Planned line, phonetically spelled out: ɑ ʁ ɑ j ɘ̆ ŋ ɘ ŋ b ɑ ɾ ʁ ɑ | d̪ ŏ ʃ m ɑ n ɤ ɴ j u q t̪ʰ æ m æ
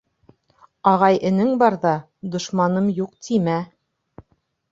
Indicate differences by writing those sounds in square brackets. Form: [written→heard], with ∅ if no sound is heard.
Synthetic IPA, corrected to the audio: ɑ ʁ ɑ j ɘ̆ [ŋ→n] ɘ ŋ b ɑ ɾ [ʁ→ð] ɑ | d̪ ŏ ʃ m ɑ n ɤ [ɴ→m] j u q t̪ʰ [æ→i] m æ